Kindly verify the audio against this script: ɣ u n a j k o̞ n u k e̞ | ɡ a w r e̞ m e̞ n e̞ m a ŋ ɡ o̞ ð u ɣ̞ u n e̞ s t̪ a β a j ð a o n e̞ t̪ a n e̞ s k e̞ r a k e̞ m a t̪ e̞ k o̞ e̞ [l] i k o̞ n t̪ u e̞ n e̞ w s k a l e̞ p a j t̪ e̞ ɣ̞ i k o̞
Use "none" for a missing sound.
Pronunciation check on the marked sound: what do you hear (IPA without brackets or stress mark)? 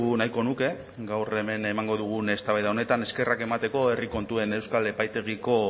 r